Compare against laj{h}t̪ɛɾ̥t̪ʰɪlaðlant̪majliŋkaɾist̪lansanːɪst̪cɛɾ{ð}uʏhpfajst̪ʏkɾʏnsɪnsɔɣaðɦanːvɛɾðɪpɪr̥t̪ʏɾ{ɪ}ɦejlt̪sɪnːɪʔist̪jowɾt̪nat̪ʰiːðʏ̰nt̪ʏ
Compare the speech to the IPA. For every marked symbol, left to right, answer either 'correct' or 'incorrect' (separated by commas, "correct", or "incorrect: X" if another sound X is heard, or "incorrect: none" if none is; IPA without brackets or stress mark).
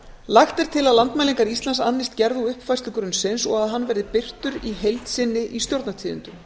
incorrect: x, correct, incorrect: i